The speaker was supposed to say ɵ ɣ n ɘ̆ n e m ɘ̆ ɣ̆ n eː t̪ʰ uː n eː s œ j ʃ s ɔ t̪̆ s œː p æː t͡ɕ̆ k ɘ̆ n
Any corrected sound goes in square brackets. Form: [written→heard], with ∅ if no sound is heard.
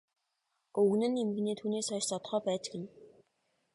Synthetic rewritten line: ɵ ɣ n ɘ̆ n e m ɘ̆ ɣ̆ n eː t̪ʰ uː n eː s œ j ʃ s ɔ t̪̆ [s→χ] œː p æː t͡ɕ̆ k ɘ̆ n